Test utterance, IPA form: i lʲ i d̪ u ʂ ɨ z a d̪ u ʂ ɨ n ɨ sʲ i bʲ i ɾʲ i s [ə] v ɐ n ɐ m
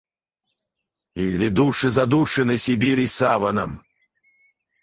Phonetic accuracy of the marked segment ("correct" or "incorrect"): incorrect